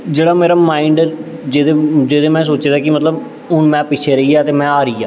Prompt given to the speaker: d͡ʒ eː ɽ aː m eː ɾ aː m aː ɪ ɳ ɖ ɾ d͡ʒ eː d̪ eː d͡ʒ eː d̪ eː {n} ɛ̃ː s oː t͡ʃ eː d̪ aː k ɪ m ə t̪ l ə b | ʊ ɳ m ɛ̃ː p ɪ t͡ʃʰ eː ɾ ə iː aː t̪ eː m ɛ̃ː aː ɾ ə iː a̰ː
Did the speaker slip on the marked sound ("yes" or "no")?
yes